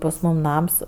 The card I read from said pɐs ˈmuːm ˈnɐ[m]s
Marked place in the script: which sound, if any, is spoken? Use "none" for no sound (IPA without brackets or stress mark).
m